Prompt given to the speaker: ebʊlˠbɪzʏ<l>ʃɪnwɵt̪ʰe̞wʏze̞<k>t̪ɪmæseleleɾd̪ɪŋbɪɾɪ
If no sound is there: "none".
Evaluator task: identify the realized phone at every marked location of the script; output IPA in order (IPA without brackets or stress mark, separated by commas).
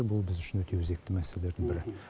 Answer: none, k